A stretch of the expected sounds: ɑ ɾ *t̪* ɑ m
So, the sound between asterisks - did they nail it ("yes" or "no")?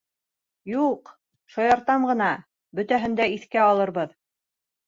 yes